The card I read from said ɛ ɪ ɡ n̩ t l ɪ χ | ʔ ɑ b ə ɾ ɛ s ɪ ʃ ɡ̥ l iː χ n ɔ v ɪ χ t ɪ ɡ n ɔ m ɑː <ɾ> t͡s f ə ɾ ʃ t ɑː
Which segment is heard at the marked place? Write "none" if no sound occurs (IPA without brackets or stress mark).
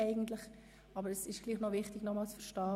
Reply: l